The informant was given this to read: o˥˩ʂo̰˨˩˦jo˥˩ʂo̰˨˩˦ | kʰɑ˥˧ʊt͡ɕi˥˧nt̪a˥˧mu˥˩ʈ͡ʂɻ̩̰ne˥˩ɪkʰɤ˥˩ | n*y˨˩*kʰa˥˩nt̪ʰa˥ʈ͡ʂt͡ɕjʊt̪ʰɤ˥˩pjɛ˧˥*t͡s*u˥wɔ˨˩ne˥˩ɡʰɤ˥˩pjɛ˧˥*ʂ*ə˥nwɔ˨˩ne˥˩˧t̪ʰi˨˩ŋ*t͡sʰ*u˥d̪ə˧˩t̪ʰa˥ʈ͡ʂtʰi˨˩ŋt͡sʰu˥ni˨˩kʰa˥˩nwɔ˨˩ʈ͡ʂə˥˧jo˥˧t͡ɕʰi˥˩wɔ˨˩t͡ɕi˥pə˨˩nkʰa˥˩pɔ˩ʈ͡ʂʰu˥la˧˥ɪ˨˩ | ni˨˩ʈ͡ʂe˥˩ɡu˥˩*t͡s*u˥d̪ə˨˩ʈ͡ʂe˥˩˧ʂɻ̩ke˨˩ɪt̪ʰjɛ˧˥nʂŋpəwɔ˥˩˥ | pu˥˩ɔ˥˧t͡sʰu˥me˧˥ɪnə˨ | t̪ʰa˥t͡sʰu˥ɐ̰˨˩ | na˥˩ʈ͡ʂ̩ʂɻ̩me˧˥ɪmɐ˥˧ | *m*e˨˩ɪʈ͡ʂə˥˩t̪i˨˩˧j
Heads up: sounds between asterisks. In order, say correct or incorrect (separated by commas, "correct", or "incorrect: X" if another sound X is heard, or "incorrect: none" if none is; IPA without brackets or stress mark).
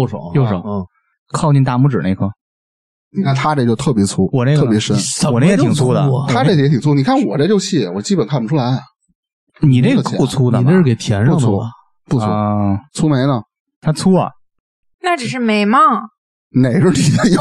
incorrect: i˨˩, incorrect: t͡sʰ, correct, correct, incorrect: t͡sʰ, incorrect: n